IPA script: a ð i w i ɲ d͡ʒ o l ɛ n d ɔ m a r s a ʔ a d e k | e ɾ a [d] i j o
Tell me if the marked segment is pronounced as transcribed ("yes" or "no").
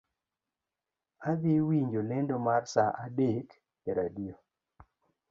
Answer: yes